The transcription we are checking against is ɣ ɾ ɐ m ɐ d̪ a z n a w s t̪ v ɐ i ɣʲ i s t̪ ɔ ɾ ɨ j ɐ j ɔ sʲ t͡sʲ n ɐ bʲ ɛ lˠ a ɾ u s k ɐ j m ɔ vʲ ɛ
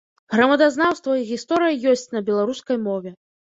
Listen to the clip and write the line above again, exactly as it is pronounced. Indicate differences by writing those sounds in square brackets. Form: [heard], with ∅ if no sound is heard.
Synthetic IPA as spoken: ɣ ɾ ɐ m ɐ d̪ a z n a w s t̪ v ɐ i ɣʲ i s t̪ ɔ ɾ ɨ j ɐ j ɔ sʲ t͡sʲ n ɐ bʲ ɛ lˠ a ɾ u s k ɐ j m ɔ vʲ ɛ